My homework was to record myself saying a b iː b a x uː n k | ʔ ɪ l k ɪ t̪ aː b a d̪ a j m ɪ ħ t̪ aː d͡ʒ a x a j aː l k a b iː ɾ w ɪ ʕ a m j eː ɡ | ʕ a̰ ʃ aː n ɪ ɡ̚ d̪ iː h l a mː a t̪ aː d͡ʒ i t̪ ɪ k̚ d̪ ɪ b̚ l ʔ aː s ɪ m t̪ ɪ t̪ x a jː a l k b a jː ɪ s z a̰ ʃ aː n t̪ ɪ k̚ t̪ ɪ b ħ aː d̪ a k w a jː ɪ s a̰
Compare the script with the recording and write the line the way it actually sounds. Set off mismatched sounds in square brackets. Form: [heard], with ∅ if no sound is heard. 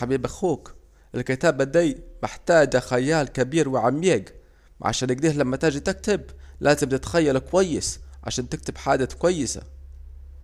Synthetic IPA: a b iː b a x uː [∅] k | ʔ ɪ l k ɪ t̪ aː b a d̪ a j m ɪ ħ t̪ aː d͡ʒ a x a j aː l k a b iː ɾ w ɪ ʕ a m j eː ɡ | ʕ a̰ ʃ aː n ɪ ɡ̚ d̪ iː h l a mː a t̪ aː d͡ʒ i t̪ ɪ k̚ [t̪] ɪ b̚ l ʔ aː [z] ɪ m t̪ ɪ t̪ x a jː a l k [w] a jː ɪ s [ʕ] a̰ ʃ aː n t̪ ɪ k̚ t̪ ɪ b ħ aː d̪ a k w a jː ɪ s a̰